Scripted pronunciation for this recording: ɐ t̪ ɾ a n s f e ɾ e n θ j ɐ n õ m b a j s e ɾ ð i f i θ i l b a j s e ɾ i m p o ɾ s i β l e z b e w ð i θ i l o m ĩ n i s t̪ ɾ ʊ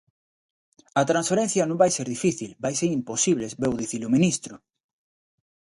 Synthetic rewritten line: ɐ t̪ ɾ a n s f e ɾ e n θ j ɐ n õ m b a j s e ɾ ð i f i θ i l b a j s e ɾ i m p o s i β l e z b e w ð i θ i l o m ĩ n i s t̪ ɾ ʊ

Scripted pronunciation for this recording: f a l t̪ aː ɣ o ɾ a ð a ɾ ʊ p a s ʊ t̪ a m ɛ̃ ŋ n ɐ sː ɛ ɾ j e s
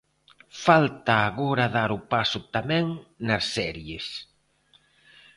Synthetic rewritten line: f a l t̪ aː ɣ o ɾ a ð a ɾ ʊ p a s ʊ t̪ a m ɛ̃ ŋ n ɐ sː ɛ ɾ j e s

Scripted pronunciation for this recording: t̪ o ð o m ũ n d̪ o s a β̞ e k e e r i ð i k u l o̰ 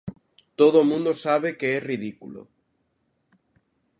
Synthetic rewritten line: t̪ o ð o m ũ n d̪ o s a β̞ e k e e r i ð i k u l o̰

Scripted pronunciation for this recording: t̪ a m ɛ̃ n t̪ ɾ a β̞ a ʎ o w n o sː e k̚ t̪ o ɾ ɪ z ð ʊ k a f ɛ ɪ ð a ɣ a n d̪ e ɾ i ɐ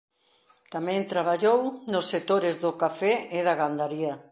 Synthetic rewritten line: t̪ a m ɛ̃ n t̪ ɾ a β̞ a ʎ o w n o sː e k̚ t̪ o ɾ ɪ z ð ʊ k a f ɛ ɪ ð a ɣ a n d̪ a ɾ i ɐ

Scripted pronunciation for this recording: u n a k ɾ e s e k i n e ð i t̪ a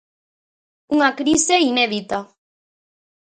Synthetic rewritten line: u ŋ a k ɾ i s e i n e ð i t̪ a

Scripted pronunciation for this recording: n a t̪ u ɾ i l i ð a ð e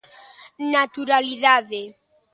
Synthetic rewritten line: n a t̪ u ɾ a l i ð a ð e

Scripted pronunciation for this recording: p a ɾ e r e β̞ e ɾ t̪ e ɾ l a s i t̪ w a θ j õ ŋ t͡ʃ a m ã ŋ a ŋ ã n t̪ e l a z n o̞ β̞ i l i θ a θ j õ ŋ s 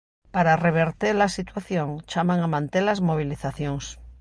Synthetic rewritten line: p a ɾ a r e β̞ e ɾ t̪ e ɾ l a s i t̪ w a θ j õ ŋ t͡ʃ a m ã ŋ a m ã n t̪ e l a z m o̞ β̞ i l i θ a θ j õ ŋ s

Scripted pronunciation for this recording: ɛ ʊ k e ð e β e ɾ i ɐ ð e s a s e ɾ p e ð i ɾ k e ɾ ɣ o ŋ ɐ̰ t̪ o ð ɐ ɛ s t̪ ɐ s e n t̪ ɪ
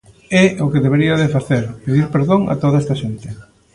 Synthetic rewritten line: ɛ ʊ k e ð e β e ɾ i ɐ ð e f a θ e ɾ p e ð i ɾ p e ɾ ð o ŋ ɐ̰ t̪ o ð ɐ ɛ s t̪ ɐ ʃ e n t̪ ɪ

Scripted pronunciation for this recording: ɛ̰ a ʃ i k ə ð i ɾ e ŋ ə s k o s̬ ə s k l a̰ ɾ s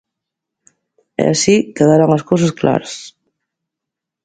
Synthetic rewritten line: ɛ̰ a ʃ i k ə ð a ɾ a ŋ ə s k o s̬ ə s k l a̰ ɾ s

